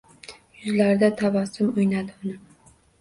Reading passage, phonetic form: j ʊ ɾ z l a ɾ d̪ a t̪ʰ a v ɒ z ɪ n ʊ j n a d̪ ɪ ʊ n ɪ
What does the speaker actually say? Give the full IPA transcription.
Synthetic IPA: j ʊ z l a ɾ d̪ a t̪ʰ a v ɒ s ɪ m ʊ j n a d̪ ɪ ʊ n ɪ